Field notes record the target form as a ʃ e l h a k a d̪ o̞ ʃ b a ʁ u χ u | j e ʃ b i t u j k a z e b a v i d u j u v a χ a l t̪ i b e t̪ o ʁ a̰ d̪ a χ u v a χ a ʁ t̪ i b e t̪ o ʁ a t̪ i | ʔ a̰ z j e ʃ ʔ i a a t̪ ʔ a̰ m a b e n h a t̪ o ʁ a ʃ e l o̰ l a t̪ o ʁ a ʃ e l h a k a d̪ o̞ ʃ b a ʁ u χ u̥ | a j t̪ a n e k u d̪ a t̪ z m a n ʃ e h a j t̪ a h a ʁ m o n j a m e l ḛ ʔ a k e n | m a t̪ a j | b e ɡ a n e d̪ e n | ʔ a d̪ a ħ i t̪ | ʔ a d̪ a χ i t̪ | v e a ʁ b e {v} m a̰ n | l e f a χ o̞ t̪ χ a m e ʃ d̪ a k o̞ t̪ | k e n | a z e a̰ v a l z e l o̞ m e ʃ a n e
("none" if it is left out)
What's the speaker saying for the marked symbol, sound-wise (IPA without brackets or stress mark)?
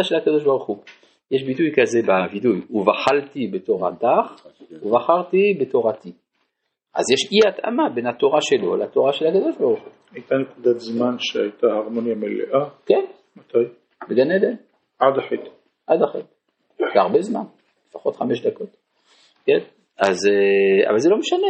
z